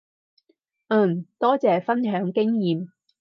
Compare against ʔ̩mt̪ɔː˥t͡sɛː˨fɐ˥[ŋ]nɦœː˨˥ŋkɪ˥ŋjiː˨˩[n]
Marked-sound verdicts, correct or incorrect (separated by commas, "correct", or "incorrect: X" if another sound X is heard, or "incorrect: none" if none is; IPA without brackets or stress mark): incorrect: none, incorrect: m